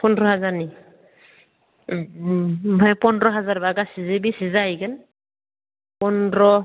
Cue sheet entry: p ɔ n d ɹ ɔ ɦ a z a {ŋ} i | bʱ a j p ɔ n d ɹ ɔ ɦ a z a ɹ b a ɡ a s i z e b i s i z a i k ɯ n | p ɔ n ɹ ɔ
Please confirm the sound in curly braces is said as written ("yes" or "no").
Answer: no